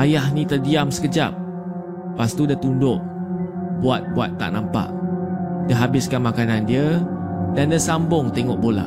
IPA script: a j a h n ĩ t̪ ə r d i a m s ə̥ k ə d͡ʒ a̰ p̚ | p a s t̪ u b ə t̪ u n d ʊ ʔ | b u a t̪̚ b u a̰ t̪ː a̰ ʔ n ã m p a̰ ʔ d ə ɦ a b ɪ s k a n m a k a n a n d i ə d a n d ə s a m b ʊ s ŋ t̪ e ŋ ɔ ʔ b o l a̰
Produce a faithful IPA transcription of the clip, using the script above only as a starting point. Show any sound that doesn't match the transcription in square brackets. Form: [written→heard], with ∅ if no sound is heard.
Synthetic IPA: a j a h n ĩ t̪ ə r d i a m s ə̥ k ə d͡ʒ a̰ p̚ | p a s t̪ u [b→d] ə t̪ u n d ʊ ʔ | b u a t̪̚ b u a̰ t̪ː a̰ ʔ n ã m p a̰ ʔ d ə ɦ a b ɪ s k a n m a k a n a n d i ə d a n d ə s a m b ʊ [s→∅] ŋ t̪ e ŋ ɔ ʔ b o l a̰